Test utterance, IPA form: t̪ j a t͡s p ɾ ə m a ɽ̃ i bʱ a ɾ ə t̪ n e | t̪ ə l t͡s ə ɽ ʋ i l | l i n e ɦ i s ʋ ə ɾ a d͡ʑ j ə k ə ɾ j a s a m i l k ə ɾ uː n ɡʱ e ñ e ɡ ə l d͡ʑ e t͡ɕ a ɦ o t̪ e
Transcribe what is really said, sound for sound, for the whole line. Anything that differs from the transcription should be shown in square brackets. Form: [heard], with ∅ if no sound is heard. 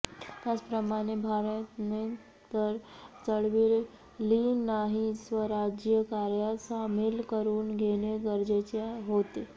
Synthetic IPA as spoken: t̪ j a t͡s p ɾ ə m a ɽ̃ [e] bʱ a ɾ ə t̪ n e | t̪ ə [ɾ] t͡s ə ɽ ʋ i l | l i n [a] ɦ i s ʋ ə ɾ a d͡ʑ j ə k [a] ɾ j a s a m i l k ə ɾ uː n ɡʱ e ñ e ɡ ə [ɾ] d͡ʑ e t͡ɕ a ɦ o t̪ e